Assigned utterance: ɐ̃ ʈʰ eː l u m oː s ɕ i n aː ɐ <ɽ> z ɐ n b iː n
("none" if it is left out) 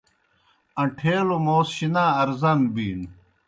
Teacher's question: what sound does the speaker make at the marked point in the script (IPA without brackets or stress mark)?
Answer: ɾ